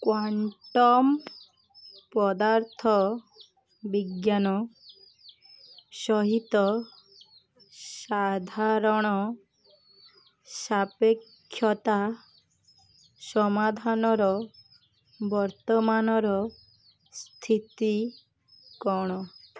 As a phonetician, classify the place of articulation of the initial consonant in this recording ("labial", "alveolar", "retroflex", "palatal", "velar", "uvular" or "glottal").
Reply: velar